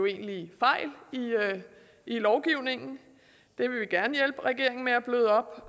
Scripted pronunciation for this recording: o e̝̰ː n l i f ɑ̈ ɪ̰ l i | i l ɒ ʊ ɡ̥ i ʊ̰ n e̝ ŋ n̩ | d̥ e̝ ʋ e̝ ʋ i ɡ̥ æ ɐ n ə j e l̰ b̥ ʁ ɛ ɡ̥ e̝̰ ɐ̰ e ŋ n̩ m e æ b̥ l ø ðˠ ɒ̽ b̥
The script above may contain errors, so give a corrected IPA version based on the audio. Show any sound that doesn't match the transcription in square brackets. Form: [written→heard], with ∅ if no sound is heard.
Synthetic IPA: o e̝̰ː n l i f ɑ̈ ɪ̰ l i | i l ɒ ʊ ɡ̥ i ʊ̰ n e̝ ŋ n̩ | d̥ e̝ ʋ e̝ ʋ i ɡ̥ æ ɐ n ə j e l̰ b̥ ʁ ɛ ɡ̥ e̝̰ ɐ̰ e ŋ n̩ m e æ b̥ l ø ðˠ ɒ̽ b̥